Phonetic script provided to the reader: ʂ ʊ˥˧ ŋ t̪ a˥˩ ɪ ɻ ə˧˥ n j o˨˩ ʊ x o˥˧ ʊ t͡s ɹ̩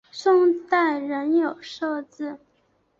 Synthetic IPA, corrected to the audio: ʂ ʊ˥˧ ŋ t̪ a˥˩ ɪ ɻ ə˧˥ n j o˨˩ ʊ ʂ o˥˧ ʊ t͡s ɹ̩